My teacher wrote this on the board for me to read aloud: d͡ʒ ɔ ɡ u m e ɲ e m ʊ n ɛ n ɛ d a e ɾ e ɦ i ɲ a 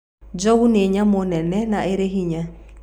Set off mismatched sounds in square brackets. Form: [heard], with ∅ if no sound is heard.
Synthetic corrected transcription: d͡ʒ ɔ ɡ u [n] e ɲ [a] m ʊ n ɛ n ɛ [n] a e ɾ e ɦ i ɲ a